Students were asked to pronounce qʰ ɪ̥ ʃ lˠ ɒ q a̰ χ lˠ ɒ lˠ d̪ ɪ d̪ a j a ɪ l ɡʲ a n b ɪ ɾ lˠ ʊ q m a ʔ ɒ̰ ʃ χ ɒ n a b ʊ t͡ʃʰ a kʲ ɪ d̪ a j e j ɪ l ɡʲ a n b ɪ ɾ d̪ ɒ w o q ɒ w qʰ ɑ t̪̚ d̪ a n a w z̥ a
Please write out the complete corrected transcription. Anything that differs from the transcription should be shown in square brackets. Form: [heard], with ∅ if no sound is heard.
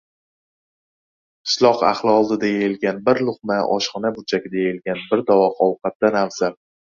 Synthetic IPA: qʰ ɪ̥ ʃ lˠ ɒ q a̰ χ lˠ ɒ lˠ d̪ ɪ d̪ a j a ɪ l ɡʲ a n b ɪ ɾ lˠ ʊ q m a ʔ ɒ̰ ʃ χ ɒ n a b ʊ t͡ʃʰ a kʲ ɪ d̪ a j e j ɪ l ɡʲ a n b ɪ ɾ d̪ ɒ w [ɒ] q ɒ w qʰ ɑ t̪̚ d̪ a n a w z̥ a